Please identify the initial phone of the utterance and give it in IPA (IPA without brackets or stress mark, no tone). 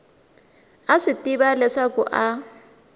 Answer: a